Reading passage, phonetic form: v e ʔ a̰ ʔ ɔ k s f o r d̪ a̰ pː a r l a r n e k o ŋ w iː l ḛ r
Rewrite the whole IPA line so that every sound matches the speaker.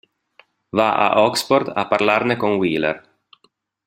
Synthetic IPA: v a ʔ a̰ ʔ ɔ k s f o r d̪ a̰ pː a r l a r n e k o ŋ w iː l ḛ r